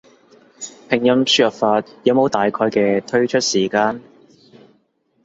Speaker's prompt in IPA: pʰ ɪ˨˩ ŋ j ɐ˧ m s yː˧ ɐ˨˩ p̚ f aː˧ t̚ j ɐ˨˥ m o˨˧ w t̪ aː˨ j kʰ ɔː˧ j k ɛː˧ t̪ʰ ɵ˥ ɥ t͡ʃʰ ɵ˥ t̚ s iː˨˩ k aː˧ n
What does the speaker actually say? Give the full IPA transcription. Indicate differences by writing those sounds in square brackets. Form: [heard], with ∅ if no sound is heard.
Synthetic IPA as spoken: pʰ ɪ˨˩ ŋ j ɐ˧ m s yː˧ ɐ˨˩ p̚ f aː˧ t̚ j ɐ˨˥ m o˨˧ w t̪ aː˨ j kʰ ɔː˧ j k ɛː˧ t̪ʰ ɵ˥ ɥ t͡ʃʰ ɵ˥ t̚ s iː˨˩ k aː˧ n